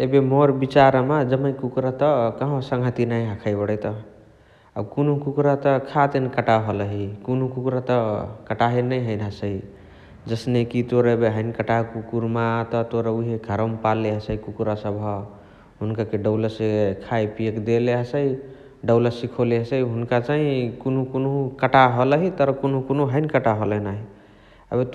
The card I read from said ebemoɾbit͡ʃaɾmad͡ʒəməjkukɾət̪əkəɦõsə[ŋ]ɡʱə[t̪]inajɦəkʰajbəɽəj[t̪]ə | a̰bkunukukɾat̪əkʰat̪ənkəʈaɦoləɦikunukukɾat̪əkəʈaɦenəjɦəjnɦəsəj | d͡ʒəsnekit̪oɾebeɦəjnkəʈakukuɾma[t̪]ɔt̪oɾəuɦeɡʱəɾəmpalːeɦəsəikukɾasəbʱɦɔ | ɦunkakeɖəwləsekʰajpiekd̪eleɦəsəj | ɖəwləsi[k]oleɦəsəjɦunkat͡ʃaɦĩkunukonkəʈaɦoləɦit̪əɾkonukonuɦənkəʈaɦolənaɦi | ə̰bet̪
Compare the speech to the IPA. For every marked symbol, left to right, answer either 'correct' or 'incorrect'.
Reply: correct, correct, correct, correct, incorrect: kʰ

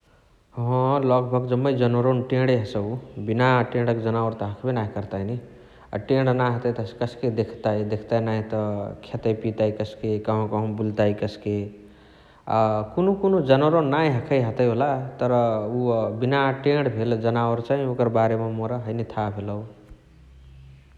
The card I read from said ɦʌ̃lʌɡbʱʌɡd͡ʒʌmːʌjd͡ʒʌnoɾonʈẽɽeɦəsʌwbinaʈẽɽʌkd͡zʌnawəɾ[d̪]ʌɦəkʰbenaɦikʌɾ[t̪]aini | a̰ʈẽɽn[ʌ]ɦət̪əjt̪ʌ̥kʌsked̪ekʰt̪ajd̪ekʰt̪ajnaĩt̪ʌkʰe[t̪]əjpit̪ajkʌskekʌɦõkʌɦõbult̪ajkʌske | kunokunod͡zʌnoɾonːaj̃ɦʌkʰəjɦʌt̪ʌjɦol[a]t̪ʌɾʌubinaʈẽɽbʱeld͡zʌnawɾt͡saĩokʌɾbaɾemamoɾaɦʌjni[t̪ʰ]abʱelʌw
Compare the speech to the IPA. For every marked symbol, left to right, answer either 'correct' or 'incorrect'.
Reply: incorrect: t̪, correct, incorrect: a, correct, correct, correct

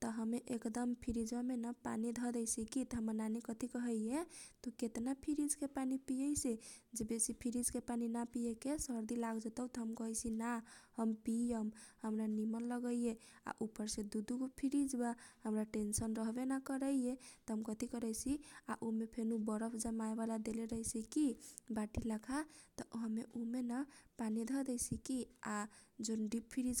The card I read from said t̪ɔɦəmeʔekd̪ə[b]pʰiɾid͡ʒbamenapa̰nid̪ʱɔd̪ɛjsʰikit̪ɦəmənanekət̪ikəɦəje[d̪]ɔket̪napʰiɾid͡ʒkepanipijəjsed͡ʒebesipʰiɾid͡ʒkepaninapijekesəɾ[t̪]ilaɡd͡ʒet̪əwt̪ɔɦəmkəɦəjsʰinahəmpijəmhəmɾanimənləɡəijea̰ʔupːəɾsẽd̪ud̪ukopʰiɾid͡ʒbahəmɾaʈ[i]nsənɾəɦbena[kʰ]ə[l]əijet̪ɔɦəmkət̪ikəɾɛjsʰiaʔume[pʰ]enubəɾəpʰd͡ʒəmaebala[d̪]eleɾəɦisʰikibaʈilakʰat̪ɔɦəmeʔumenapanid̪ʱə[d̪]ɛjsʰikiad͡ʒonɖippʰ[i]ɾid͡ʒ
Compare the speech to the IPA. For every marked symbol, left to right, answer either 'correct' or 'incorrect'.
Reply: incorrect: m, incorrect: t̪, incorrect: d̪, incorrect: e, incorrect: k, incorrect: ɾ, correct, correct, correct, correct

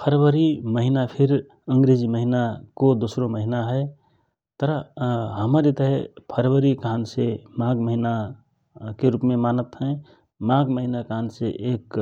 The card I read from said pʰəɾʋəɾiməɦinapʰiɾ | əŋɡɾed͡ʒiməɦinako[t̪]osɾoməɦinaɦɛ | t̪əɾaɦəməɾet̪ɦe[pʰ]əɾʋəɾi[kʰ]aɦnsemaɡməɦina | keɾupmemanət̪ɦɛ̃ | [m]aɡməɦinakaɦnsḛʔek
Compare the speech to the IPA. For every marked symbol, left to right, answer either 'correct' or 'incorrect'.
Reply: incorrect: d̪, correct, incorrect: k, correct

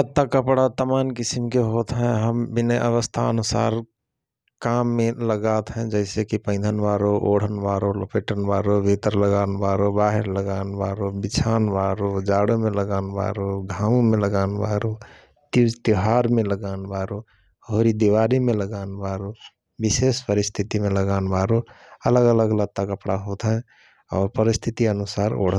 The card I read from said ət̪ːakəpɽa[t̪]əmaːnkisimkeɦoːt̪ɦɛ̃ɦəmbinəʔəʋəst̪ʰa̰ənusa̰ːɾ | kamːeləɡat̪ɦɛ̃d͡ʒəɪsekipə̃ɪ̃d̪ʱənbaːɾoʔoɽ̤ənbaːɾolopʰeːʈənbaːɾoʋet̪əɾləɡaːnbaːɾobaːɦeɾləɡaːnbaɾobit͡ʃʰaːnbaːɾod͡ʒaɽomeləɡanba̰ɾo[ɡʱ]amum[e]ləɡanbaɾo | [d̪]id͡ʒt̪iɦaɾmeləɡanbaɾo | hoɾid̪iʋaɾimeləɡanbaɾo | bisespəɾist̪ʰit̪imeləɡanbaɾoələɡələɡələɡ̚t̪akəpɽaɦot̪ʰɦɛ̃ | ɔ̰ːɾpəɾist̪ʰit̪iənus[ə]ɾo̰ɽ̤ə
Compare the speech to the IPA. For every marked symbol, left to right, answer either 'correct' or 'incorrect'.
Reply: correct, correct, correct, incorrect: t̪, incorrect: a

